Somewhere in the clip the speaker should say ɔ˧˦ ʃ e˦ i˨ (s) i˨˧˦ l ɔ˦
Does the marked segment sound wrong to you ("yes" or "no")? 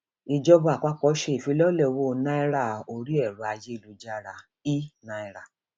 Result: yes